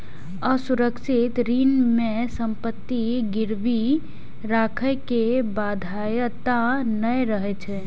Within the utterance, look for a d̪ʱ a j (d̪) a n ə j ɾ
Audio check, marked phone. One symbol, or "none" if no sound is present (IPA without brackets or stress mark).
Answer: t̪